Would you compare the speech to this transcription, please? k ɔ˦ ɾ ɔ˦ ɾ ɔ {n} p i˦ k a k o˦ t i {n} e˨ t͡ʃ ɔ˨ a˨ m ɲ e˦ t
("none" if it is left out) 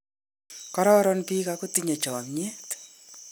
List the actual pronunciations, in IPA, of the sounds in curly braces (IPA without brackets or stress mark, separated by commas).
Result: n, ɲ